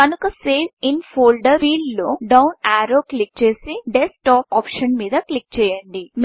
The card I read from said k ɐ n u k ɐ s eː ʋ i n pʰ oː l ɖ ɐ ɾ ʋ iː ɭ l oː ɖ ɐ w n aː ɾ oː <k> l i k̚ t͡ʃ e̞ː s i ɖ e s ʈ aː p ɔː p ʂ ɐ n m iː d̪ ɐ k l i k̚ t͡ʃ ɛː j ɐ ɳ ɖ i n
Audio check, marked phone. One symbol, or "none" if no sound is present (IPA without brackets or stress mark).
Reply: k